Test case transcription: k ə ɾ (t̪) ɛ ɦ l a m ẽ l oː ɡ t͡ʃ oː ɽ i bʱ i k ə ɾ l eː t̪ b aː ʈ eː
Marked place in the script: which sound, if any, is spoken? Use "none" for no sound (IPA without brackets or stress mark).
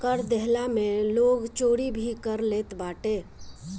d̪